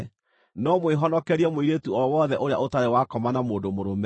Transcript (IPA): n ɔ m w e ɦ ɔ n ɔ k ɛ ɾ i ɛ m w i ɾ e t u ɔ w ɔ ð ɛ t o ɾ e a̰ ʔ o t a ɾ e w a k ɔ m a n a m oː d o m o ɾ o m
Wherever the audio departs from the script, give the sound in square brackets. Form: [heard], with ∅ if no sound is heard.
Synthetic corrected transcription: n ɔ m w e ɦ ɔ n ɔ k ɛ ɾ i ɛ m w i ɾ e t u ɔ w ɔ ð ɛ [ʔ] o ɾ e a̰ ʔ o t a ɾ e w a k ɔ m a n a m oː d o m o ɾ o m